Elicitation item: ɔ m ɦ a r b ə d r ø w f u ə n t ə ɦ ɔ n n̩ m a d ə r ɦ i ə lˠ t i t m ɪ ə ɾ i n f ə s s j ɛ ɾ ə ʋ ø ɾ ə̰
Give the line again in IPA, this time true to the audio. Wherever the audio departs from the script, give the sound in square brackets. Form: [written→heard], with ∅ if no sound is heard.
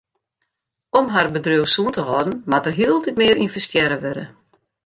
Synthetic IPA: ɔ m ɦ a r b ə d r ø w [f→s] u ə n t ə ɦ ɔ [n→d] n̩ m a [d→t] ə r ɦ i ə lˠ t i t m ɪ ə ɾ i n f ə s [s→t] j ɛ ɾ ə ʋ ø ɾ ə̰